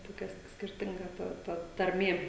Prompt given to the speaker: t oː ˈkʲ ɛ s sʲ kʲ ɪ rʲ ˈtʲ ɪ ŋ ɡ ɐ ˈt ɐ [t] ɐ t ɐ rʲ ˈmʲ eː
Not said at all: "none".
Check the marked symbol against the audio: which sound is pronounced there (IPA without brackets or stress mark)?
t